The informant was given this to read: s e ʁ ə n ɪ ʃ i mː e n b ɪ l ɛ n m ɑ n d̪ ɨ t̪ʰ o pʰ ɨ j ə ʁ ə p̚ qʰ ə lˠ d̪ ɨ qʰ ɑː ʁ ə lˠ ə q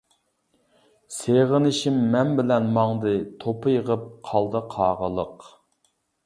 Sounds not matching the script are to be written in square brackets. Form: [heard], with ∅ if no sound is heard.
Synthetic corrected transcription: s e ʁ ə n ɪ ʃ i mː [ɛ] n b ɪ l ɛ n m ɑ [ŋ] d̪ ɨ t̪ʰ o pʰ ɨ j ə ʁ ə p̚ qʰ [ɑ] lˠ d̪ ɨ qʰ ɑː ʁ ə lˠ ə q